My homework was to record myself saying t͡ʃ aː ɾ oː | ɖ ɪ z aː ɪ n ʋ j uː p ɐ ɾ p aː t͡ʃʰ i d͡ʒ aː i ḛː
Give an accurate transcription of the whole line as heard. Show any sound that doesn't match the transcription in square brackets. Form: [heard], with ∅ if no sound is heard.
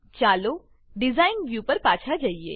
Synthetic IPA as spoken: t͡ʃ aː [l] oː | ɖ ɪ z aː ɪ n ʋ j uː p ɐ ɾ p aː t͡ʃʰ [a] d͡ʒ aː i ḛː